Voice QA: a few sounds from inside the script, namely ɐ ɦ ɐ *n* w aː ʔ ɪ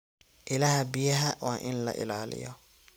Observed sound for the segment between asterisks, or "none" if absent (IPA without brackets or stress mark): none